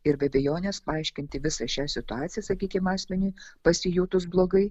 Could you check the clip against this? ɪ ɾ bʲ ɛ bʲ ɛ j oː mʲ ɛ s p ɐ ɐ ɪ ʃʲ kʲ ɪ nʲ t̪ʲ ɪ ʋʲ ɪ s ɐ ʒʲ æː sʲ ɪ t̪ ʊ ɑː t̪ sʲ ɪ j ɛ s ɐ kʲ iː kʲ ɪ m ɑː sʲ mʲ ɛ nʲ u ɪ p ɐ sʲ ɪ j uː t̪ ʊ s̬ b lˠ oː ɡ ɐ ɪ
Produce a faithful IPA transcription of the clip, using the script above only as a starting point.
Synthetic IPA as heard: ɪ ɾ bʲ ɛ bʲ ɛ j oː nʲ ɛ s p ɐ ɐ ɪ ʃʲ kʲ ɪ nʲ t̪ʲ ɪ ʋʲ ɪ s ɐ ʃʲ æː sʲ ɪ t̪ ʊ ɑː t̪ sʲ ɪ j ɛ s ɐ kʲ iː kʲ ɪ m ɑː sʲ mʲ ɛ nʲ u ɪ p ɐ sʲ ɪ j uː t̪ ʊ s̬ b lˠ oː ɡ ɐ ɪ